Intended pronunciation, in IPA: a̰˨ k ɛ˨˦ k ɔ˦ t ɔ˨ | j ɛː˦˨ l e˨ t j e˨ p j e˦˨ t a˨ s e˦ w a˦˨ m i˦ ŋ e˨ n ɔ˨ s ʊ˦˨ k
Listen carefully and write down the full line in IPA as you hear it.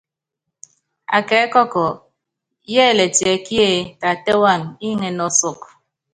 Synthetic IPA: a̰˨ k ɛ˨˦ k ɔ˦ k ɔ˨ | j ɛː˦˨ l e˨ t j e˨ k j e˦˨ t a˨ t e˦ w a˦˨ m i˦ ŋ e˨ n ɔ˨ s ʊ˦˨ k